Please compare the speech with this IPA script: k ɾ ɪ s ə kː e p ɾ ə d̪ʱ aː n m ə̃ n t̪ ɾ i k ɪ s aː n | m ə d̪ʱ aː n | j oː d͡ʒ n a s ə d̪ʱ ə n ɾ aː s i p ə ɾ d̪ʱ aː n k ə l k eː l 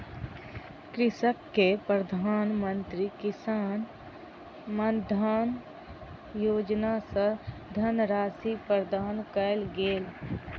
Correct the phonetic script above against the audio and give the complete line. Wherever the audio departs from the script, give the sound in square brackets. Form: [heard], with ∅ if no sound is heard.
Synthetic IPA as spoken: k ɾ ɪ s ə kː e p ɾ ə d̪ʱ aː n m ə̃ n t̪ ɾ i k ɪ s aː n | m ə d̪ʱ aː n | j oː d͡ʒ n a s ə d̪ʱ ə n ɾ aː s i p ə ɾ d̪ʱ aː n k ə l [ɡ] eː l